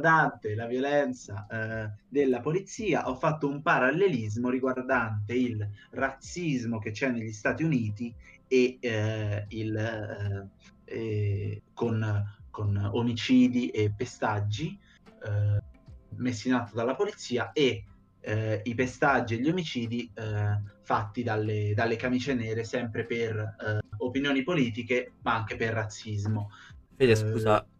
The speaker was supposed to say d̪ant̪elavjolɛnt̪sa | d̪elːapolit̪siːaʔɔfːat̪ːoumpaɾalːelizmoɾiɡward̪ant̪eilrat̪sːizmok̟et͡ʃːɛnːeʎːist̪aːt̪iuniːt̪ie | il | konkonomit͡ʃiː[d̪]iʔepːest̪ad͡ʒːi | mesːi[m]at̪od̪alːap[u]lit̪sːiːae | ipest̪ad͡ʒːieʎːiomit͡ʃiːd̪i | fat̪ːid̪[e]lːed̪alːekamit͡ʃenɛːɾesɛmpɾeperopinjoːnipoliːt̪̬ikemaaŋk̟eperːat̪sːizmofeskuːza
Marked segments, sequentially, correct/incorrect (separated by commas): correct, incorrect, incorrect, incorrect